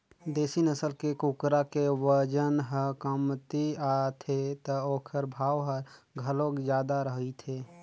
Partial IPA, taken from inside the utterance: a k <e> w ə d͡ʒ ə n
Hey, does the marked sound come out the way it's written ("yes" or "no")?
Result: yes